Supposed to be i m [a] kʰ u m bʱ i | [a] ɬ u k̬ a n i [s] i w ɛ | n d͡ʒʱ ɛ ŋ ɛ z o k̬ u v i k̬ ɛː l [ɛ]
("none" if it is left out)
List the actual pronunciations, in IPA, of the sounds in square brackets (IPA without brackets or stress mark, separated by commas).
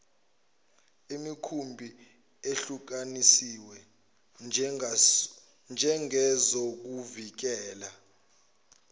i, e, s, a